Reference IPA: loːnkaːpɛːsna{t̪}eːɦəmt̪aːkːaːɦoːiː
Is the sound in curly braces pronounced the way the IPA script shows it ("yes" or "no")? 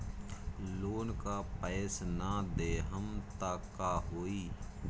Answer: no